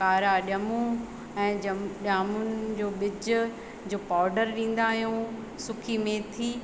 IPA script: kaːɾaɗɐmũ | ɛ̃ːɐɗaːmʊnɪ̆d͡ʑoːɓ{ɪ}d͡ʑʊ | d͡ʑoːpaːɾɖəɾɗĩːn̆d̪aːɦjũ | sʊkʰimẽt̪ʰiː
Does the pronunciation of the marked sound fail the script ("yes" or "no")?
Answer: no